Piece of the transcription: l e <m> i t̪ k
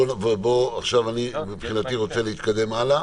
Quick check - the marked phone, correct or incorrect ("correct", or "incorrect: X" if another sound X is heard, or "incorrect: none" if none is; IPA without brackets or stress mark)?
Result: incorrect: none